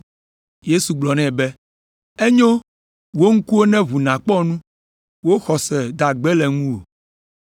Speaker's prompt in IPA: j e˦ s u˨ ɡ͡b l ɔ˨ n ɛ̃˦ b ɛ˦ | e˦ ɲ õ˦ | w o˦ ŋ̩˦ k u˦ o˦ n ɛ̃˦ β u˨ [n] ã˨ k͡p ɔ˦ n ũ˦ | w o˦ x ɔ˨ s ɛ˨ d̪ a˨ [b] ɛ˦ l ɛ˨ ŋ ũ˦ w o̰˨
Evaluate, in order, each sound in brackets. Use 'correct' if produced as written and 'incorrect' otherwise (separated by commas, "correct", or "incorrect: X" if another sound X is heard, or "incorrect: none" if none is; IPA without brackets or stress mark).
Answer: correct, incorrect: ɡ͡b